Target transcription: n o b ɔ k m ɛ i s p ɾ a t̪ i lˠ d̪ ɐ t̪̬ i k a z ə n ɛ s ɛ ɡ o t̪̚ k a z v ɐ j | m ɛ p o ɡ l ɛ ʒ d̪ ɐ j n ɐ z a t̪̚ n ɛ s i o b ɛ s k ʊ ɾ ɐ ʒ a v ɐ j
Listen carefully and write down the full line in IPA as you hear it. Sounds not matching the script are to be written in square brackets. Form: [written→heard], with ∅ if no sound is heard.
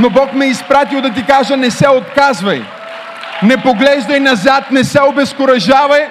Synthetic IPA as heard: n o b ɔ k m ɛ i s p ɾ a t̪ i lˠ d̪ ɐ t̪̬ i k a [z→ʒ] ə n ɛ s ɛ [ɡ→∅] o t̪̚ k a z v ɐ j | [m→n] ɛ p o ɡ l ɛ ʒ d̪ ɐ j n ɐ z a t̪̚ n ɛ s [i→ɛ] o b ɛ s k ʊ ɾ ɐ ʒ a v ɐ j